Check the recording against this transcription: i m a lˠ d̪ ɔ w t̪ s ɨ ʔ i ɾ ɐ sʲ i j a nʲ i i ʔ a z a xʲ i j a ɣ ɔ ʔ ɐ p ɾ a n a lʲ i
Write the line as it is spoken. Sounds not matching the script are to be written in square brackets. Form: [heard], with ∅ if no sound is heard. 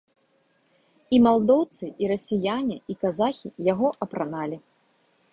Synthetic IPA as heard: i m a lˠ d̪ ɔ w t̪ s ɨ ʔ i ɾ ɐ sʲ i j a nʲ i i [k] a z a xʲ i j a ɣ ɔ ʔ ɐ p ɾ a n a lʲ i